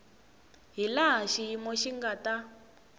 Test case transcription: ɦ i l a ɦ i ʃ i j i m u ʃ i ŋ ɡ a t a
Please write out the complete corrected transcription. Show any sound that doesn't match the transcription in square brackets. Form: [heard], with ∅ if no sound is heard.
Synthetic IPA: ɦ i l a ɦ [a] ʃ i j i m [ɔ] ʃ i ŋ ɡ a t a